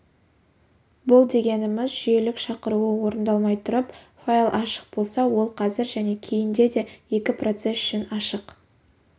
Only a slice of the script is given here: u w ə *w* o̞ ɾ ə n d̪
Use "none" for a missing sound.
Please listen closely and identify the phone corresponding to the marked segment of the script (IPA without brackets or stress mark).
w